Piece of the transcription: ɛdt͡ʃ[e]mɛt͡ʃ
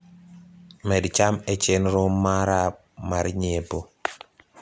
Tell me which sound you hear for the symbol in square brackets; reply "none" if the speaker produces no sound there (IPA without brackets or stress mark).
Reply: a